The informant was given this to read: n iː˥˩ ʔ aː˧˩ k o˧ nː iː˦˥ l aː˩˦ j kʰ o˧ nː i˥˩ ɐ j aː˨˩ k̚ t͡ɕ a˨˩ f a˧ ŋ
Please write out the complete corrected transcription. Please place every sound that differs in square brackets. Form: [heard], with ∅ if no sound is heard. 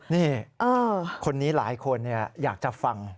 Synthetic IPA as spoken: n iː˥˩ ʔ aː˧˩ [kʰ] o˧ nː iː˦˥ l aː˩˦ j kʰ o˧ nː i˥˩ ɐ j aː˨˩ k̚ t͡ɕ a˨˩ f a˧ ŋ